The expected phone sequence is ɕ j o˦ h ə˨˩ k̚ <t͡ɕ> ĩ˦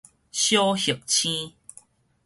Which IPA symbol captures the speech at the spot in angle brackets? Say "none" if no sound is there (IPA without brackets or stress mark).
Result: t͡ɕʰ